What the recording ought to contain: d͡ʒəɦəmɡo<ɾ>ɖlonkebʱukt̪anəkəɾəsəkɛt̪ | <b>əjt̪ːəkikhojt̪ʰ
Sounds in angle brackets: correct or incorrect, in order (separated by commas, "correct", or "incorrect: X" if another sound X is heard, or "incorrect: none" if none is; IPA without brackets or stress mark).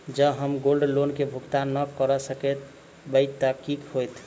incorrect: l, correct